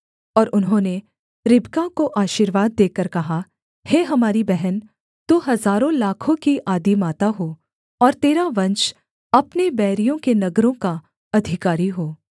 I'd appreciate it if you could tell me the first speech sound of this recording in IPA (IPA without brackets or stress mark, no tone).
ɔː